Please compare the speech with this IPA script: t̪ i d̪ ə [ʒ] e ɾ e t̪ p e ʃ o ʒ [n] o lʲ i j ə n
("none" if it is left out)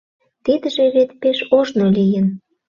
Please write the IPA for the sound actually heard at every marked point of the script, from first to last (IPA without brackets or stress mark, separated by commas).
ʒ, n